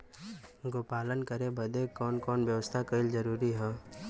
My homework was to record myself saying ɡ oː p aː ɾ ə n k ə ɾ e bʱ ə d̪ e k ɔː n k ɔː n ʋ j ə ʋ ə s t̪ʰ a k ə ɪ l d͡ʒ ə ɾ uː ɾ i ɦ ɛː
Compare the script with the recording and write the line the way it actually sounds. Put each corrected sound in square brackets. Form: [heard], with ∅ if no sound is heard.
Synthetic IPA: ɡ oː p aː [l] ə n k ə ɾ e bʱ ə d̪ e k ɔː n k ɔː n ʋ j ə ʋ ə s t̪ʰ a k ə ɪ l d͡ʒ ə ɾ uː ɾ i ɦ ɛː